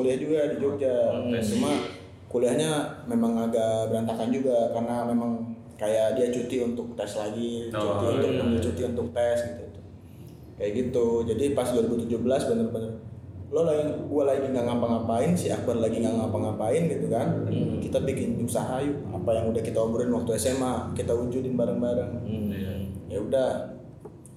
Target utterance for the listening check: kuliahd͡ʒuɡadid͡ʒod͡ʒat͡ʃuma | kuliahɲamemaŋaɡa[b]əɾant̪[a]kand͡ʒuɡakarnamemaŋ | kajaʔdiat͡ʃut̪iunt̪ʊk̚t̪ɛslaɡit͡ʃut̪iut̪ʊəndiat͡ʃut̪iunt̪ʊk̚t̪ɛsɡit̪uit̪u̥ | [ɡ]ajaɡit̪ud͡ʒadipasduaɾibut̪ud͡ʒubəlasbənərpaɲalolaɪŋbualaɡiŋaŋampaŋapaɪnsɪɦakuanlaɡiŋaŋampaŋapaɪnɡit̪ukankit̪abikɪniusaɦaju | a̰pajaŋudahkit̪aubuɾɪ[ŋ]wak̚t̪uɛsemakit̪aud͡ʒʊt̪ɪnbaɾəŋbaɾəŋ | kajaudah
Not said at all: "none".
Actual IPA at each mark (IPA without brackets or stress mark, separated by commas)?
b, a, k, n